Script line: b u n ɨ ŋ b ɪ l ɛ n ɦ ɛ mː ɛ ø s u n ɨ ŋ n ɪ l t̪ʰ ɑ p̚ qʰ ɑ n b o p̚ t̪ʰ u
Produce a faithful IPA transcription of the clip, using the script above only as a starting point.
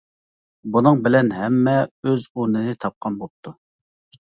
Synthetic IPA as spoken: b u n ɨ ŋ b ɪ l ɛ n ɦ ɛ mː ɛ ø z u n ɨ n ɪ t̪ʰ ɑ p̚ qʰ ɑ n b o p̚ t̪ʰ u